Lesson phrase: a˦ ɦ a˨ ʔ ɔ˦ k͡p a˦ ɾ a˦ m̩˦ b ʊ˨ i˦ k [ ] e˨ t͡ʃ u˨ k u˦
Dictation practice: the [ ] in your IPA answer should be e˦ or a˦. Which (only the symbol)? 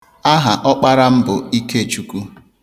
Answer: e˦